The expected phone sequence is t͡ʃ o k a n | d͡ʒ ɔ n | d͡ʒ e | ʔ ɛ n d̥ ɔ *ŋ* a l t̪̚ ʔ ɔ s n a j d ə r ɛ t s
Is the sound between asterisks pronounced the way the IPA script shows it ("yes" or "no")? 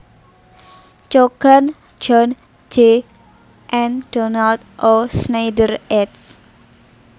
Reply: no